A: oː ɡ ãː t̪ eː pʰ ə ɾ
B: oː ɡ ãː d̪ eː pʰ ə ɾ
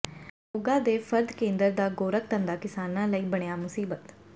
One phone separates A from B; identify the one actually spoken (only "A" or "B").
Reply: B